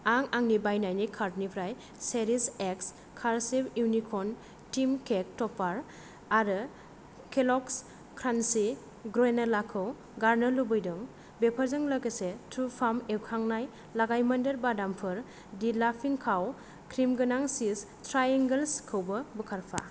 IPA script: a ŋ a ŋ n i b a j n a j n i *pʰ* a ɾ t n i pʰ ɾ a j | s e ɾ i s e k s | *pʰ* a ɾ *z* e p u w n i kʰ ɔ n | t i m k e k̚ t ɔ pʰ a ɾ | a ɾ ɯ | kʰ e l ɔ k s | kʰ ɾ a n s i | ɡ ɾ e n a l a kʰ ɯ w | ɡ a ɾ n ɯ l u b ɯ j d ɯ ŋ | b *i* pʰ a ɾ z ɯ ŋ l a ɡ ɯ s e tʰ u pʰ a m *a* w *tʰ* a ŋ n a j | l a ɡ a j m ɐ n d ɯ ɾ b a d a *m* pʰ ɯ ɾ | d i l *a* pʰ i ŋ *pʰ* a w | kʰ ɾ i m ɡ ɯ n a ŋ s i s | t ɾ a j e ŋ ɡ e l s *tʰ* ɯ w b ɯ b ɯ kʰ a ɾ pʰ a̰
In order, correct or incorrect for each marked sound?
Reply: incorrect, incorrect, incorrect, incorrect, incorrect, incorrect, correct, correct, incorrect, incorrect

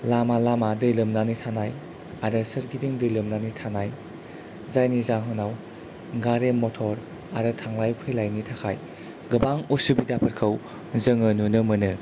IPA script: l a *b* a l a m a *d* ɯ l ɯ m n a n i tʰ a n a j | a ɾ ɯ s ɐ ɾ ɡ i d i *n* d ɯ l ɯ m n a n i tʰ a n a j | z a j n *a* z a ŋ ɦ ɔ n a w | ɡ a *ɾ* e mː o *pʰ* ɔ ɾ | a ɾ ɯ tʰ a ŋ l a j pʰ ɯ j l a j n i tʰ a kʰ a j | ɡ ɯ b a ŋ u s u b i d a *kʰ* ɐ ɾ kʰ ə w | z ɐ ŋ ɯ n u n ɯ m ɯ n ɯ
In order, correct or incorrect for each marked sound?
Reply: incorrect, correct, incorrect, incorrect, correct, incorrect, incorrect

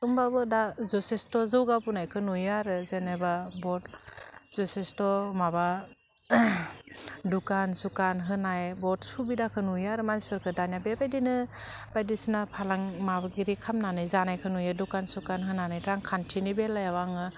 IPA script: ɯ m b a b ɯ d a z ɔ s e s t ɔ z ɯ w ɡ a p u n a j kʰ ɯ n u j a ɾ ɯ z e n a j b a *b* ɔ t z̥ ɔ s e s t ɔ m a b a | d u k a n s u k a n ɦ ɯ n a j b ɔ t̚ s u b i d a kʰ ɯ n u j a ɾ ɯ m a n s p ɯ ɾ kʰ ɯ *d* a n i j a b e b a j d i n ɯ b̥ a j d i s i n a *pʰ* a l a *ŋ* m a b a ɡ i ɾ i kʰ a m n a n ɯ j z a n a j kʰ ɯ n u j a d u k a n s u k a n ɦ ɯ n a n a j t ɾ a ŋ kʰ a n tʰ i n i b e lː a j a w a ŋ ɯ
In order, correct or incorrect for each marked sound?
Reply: correct, correct, correct, correct

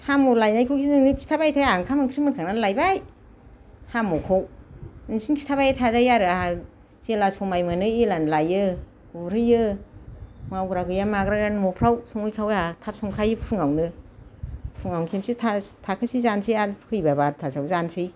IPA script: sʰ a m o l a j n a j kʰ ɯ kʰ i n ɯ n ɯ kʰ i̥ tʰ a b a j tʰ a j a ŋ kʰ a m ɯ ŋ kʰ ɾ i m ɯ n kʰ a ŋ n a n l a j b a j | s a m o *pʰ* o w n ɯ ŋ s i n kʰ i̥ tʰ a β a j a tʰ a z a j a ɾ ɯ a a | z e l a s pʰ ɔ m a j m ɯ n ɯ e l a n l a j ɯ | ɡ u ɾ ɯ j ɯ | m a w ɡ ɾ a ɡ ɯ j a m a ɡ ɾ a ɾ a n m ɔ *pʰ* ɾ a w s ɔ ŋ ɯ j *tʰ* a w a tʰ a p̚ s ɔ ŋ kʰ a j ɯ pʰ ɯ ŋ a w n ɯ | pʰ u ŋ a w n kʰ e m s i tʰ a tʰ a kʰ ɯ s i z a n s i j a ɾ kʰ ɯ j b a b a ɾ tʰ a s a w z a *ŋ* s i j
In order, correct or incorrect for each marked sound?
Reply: incorrect, correct, incorrect, incorrect

